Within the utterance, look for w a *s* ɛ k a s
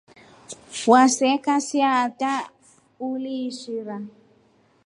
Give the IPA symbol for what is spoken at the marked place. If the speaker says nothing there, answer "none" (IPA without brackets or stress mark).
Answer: s